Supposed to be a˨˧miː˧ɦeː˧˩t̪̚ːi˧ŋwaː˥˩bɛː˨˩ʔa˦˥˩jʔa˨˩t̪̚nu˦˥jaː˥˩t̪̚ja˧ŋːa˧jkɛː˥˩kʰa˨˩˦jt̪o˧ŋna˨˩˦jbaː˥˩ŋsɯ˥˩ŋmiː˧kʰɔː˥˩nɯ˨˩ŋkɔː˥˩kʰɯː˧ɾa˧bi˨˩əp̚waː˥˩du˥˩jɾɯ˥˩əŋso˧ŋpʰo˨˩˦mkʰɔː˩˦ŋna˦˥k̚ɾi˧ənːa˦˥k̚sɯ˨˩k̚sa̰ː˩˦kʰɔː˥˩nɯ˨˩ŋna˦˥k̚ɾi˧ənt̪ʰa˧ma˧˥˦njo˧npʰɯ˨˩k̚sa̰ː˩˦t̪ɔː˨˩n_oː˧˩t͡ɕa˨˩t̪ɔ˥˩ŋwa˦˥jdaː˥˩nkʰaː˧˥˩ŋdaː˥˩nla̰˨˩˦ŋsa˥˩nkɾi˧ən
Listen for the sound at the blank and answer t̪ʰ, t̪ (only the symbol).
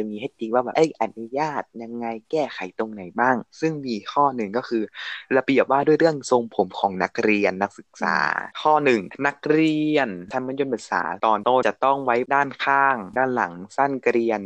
t̪